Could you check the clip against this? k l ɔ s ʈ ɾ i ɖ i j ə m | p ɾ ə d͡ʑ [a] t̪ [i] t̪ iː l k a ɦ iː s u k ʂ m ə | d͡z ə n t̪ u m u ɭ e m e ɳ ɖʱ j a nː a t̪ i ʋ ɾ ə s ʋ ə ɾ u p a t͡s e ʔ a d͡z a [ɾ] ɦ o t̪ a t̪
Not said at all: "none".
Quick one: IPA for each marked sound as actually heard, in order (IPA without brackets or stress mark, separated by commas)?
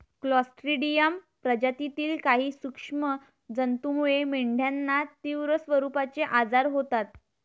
a, i, ɾ